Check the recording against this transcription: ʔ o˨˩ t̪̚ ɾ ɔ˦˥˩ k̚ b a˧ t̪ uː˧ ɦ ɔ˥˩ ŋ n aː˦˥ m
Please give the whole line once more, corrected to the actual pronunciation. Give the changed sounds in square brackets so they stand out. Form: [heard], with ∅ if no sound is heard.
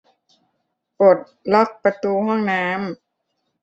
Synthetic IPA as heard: [p] o˨˩ t̪̚ [l] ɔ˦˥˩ k̚ [p] a˧ t̪ uː˧ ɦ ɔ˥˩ ŋ n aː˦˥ m